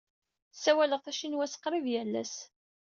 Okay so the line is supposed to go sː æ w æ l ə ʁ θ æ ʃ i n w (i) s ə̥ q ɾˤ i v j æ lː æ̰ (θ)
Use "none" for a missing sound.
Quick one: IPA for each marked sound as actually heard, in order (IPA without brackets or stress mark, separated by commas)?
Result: æ, s